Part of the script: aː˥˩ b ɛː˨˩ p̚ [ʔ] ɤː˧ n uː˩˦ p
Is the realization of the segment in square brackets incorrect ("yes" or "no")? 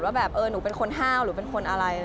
no